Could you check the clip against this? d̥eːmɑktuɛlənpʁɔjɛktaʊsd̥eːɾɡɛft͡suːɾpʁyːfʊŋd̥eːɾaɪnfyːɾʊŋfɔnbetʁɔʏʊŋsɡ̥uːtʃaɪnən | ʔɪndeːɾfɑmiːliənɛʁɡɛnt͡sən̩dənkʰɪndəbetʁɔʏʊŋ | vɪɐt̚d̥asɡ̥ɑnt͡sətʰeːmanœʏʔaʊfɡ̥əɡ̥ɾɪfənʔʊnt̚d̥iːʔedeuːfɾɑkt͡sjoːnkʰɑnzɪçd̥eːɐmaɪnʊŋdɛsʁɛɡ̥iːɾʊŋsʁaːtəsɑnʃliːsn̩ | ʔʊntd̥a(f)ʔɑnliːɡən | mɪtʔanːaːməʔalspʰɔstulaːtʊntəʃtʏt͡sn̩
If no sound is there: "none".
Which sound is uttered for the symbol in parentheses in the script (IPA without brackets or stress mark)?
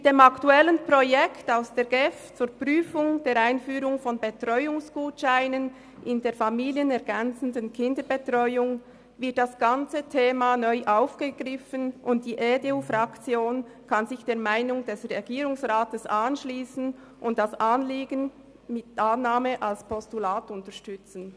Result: s